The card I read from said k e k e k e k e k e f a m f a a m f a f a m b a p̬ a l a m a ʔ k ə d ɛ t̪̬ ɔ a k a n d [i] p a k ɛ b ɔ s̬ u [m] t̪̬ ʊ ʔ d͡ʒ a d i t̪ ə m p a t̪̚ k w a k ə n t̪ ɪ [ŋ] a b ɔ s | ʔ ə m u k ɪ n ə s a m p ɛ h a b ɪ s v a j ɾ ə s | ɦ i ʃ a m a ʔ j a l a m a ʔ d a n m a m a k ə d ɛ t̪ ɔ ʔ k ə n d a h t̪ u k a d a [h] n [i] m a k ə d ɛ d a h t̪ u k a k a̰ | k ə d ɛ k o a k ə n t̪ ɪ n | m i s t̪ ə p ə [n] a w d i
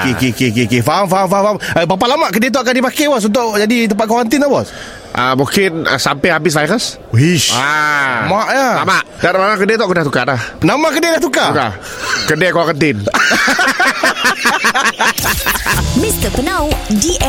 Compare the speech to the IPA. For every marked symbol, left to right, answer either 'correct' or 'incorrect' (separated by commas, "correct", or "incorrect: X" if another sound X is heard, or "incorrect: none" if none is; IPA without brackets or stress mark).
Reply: correct, incorrect: n, incorrect: n, correct, incorrect: a, correct